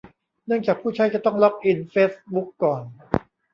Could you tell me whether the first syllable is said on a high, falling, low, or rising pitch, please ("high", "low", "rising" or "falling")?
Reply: falling